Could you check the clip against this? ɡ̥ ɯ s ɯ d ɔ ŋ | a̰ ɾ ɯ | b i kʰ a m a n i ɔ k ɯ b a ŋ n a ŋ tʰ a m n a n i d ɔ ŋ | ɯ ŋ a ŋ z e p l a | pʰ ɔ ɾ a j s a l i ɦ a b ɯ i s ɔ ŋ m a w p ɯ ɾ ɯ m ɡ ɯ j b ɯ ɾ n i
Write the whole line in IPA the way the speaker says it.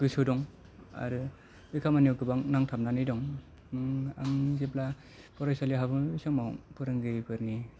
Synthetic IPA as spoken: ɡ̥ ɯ s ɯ d ɔ ŋ | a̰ ɾ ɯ | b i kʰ a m a n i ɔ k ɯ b a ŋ n a ŋ tʰ a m n a n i d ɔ ŋ | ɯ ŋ a ŋ z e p l a | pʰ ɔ ɾ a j s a l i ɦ a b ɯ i s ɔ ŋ m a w p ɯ ɾ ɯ ŋ ɡ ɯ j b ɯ ɾ n i